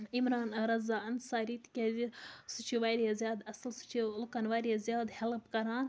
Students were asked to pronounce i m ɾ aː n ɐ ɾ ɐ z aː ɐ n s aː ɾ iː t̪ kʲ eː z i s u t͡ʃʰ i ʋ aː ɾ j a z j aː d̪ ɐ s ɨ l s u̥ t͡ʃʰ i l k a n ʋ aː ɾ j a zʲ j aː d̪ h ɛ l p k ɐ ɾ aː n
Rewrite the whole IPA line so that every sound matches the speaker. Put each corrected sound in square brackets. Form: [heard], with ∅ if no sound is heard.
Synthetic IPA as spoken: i m ɾ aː n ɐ ɾ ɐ z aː ɐ n s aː ɾ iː t̪ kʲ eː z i s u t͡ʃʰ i ʋ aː ɾ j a z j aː d̪ ɐ s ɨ l s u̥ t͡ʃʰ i l k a n ʋ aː ɾ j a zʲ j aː d̪ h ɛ l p k ɐ ɾ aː n